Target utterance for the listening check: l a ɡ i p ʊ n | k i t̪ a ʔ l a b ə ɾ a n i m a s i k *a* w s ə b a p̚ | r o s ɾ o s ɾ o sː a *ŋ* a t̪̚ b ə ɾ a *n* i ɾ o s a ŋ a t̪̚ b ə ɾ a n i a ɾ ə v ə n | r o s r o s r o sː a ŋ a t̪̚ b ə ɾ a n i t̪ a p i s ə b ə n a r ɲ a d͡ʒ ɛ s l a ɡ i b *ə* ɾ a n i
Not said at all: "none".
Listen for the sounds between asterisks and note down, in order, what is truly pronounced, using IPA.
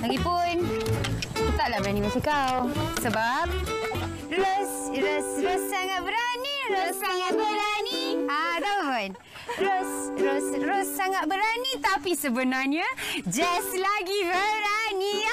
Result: a, ŋ, n, ə

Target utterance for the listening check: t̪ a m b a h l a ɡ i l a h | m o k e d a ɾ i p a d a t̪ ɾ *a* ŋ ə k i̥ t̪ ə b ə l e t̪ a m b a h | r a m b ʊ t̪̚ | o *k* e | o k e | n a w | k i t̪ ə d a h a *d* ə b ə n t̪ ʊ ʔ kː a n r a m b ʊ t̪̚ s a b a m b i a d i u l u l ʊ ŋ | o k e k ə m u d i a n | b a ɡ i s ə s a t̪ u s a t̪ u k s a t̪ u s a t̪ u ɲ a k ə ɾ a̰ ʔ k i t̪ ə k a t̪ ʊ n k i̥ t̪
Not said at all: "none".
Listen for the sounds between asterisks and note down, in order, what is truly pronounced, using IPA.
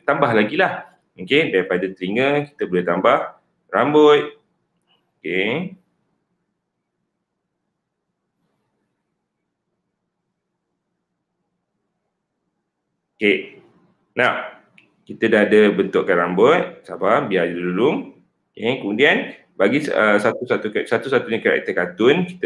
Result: i, k, d

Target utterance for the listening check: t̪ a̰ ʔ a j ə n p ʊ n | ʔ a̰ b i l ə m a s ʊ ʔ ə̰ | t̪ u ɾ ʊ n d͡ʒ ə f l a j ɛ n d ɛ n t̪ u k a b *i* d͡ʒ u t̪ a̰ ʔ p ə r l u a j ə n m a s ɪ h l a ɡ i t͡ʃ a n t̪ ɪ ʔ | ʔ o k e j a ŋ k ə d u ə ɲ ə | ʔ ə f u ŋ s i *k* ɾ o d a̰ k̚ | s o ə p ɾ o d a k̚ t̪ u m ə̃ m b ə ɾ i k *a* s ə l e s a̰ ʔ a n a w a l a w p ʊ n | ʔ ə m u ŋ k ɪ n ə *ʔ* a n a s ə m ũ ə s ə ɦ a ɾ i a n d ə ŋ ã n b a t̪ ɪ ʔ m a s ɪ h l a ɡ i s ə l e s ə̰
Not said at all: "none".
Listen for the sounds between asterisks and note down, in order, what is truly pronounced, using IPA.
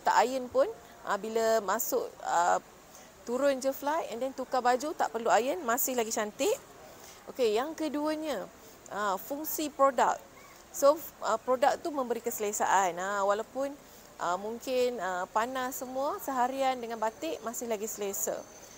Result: a, p, ə, p

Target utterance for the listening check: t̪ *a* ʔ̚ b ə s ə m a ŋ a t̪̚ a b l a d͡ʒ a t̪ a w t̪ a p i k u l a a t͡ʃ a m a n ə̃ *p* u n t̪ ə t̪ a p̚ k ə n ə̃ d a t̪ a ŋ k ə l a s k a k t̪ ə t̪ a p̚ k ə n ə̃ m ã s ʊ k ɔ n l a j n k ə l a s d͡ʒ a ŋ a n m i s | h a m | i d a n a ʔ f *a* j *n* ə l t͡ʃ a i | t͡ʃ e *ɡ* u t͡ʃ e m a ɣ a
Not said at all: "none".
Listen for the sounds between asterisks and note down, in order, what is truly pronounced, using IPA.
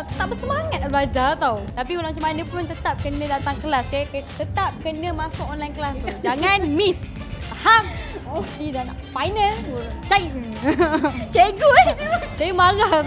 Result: a, p, a, n, ɡ

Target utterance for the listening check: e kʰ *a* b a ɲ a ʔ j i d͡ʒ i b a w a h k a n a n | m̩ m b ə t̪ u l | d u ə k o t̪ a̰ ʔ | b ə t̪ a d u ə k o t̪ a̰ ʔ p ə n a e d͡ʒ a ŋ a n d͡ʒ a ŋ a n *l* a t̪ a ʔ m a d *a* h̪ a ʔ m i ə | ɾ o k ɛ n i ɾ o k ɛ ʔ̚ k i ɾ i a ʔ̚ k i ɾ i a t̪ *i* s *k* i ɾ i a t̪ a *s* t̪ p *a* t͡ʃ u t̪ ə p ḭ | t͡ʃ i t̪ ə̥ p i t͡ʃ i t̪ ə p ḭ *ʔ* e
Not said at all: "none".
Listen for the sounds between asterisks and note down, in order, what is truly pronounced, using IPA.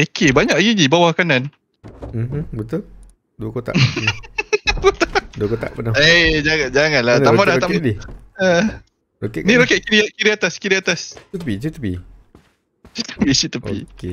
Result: e, l, a, a, k, s, i, k

